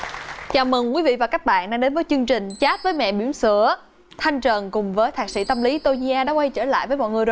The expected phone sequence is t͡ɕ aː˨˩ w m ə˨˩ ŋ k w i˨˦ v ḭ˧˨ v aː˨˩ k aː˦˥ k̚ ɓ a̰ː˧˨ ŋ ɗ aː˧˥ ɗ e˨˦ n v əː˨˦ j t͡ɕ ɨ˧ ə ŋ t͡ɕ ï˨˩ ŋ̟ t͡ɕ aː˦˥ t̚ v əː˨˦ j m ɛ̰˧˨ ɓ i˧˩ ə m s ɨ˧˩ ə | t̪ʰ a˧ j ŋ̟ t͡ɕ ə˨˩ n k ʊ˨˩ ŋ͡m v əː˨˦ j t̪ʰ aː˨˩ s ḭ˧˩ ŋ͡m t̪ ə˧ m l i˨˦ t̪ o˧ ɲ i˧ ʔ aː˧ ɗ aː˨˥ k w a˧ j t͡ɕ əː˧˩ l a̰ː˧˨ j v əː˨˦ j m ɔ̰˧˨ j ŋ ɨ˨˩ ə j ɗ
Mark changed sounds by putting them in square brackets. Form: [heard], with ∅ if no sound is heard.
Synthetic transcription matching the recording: t͡ɕ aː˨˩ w m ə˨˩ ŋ k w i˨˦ v ḭ˧˨ v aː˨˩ k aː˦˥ k̚ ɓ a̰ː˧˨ [n] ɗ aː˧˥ ɗ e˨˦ n v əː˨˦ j t͡ɕ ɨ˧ ə ŋ t͡ɕ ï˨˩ ŋ̟ t͡ɕ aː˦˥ t̚ v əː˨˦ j m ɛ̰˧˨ ɓ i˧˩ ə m s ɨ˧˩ ə | t̪ʰ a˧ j ŋ̟ t͡ɕ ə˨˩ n k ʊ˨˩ ŋ͡m v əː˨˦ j t̪ʰ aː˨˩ s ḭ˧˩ [∅] t̪ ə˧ m l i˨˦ t̪ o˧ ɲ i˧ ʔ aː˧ ɗ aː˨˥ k w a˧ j t͡ɕ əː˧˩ l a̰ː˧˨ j v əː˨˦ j m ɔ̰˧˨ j ŋ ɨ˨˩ ə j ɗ

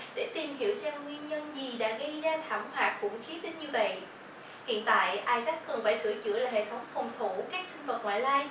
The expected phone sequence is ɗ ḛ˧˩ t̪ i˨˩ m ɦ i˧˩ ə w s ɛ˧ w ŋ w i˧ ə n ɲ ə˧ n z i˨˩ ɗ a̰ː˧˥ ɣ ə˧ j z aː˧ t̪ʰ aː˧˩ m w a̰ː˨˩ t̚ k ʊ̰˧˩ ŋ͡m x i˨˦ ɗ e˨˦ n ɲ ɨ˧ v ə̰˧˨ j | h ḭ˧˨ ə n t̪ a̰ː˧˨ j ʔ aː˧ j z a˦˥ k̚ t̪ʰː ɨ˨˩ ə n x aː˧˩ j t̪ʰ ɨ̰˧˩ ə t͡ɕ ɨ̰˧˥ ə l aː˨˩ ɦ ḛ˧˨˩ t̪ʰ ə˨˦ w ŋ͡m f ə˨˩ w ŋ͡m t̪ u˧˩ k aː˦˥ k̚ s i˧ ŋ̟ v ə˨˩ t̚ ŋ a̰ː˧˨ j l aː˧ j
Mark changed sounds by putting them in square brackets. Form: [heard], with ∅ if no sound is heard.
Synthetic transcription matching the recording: ɗ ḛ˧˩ t̪ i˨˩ m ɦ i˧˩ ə w s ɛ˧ w ŋ w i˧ ə n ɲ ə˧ n z i˨˩ ɗ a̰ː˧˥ ɣ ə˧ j z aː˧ t̪ʰ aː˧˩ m w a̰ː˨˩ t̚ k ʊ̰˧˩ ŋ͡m x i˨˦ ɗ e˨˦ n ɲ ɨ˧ v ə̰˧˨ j | h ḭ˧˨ ə n t̪ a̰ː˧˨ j ʔ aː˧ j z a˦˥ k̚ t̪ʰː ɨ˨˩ ə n [f] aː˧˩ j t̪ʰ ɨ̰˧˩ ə t͡ɕ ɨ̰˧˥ ə l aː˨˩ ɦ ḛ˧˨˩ t̪ʰ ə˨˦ w ŋ͡m f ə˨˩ w ŋ͡m [t̪ʰ] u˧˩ k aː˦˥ k̚ s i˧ ŋ̟ v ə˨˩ t̚ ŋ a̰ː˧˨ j l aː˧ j

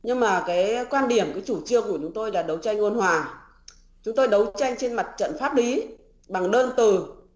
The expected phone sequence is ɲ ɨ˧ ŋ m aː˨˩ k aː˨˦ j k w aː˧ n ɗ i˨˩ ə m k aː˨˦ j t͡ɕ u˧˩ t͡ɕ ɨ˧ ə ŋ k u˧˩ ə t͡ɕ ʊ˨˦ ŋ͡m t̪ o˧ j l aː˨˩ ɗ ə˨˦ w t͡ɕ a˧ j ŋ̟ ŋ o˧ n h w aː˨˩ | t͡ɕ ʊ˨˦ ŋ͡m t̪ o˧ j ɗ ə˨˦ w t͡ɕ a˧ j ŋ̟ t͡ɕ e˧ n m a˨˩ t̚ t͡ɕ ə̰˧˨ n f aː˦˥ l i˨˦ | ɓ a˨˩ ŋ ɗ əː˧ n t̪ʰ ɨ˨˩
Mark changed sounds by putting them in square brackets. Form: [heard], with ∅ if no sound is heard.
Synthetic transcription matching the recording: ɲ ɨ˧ ŋ m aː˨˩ k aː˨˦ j k w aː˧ n ɗ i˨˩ ə m k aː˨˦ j t͡ɕ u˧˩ t͡ɕ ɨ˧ ə ŋ k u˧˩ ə t͡ɕ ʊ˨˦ ŋ͡m t̪ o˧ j l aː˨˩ ɗ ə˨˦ w t͡ɕ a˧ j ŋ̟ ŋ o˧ n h w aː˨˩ | t͡ɕ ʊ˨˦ ŋ͡m t̪ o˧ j ɗ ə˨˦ w t͡ɕ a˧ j ŋ̟ t͡ɕ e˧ n m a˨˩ t̚ t͡ɕ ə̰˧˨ n f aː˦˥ l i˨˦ | ɓ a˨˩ ŋ ɗ əː˧ n [t̪] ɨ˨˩

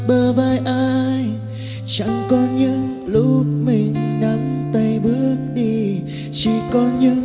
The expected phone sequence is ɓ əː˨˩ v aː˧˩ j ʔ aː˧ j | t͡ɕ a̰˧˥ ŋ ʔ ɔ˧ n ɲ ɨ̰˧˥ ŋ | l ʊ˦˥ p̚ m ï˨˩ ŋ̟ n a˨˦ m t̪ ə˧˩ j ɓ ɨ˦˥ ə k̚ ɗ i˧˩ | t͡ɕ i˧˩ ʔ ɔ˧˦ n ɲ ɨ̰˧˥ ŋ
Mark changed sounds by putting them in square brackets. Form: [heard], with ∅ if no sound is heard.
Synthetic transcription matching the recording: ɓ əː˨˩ v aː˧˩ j ʔ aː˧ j | t͡ɕ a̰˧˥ ŋ [k] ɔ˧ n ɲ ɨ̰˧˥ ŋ | l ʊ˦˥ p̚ m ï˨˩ ŋ̟ n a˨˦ m t̪ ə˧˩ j ɓ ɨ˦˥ ə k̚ ɗ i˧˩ | t͡ɕ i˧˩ [k] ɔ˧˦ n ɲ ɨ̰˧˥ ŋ

